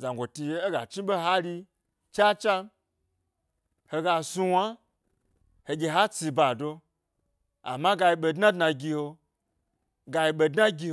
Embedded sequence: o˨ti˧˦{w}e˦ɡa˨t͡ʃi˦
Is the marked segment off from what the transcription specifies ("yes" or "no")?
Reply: yes